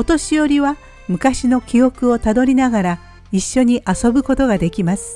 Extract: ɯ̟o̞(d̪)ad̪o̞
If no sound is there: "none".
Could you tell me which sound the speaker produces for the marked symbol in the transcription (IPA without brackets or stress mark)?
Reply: t̪